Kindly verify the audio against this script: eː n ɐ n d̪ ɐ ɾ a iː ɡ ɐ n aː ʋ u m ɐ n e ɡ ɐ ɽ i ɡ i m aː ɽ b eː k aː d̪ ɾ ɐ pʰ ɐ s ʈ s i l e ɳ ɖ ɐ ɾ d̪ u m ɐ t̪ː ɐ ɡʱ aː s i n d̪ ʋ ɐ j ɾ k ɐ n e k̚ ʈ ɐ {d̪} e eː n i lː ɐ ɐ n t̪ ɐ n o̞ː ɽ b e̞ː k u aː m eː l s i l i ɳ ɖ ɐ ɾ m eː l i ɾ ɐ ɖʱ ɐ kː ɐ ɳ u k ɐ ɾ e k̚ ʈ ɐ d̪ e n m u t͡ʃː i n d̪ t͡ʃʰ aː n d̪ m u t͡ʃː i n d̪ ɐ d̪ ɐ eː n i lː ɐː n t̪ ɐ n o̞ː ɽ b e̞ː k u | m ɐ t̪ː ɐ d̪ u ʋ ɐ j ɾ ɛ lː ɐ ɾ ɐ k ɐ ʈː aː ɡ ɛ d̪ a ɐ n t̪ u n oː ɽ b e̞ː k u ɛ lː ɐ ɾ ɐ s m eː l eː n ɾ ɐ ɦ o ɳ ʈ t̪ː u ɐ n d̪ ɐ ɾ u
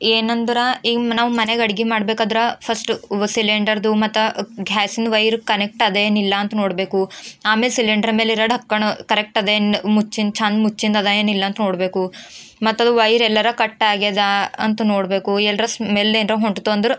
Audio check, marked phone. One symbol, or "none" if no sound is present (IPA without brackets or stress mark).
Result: d̪